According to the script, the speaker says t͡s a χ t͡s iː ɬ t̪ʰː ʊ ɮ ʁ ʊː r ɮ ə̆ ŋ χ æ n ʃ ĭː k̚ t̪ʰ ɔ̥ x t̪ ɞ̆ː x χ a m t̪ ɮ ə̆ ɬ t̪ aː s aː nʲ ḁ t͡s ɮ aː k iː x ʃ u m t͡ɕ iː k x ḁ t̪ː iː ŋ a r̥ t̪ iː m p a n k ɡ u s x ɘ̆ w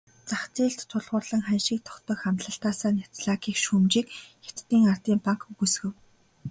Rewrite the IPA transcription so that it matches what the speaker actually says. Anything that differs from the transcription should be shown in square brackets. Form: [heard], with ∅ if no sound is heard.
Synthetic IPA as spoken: t͡s a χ t͡s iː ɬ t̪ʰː ʊ ɮ ʁ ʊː r ɮ ə̆ ŋ χ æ n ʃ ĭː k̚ t̪ʰ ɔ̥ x t̪ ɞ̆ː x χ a m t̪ ɮ ə̆ ɬ t̪ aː s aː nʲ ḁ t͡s ɮ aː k iː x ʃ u m t͡ɕ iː k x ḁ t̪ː iː ŋ a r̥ t̪ iː m p a [ŋ] k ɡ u s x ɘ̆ w